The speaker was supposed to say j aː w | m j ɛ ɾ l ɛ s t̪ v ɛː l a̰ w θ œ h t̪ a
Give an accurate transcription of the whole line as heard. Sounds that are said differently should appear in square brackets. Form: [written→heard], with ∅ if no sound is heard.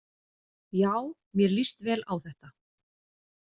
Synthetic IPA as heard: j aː w | m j ɛ ɾ l [ɛ→i] s t̪ v ɛː l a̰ w θ [œ→ɛ] h t̪ a